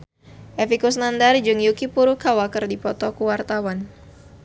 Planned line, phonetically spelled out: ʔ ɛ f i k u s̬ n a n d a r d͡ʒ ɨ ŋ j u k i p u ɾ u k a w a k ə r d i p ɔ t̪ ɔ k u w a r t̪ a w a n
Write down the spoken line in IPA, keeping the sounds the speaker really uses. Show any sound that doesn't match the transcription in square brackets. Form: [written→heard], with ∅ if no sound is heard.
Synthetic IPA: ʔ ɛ f i k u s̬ n a n d a r d͡ʒ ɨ ŋ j u k i p u ɾ u k a w a k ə r d i p ɔ t̪ ɔ k u w a r t̪ a w a n